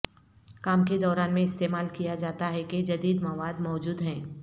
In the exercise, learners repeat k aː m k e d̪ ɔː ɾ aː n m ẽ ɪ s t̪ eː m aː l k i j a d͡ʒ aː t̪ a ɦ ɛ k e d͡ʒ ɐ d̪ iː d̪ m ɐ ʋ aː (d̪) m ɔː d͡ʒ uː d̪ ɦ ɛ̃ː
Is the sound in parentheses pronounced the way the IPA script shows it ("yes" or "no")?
yes